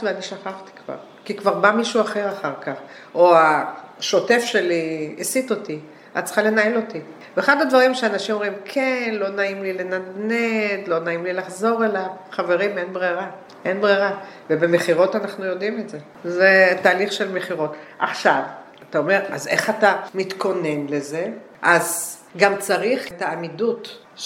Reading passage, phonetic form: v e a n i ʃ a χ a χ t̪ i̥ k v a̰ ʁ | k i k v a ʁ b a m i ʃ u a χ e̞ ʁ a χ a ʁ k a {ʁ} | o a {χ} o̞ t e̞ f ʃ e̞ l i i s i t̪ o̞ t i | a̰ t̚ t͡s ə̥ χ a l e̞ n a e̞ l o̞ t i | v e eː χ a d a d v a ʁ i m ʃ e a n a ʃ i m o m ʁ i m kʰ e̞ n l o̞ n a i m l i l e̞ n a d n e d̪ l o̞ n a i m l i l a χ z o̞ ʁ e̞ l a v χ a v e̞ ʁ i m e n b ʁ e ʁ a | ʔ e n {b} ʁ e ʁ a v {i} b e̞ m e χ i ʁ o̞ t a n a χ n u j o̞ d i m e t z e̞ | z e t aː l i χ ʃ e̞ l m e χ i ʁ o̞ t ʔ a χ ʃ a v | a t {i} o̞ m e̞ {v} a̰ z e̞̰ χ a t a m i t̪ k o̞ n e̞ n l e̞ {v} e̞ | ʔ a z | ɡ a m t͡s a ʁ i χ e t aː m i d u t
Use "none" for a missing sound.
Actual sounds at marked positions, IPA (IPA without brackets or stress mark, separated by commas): χ, ʃ, b, e, a, ʁ, z